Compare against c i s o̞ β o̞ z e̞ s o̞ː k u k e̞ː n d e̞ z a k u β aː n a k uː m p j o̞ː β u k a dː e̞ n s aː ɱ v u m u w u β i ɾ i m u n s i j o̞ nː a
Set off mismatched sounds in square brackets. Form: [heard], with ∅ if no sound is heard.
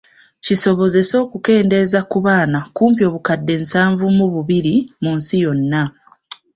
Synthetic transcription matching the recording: c i s o̞ β o̞ z e̞ s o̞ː k u k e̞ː n d e̞ z a k u β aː n a k uː m p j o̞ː β u k a dː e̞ n s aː ɱ v u m u [β] u β i ɾ i m u n s i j o̞ nː a